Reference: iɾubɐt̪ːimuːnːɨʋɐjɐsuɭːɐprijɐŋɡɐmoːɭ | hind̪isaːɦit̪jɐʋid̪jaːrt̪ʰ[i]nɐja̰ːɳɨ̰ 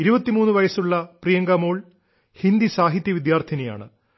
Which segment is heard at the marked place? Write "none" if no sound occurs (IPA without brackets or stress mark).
i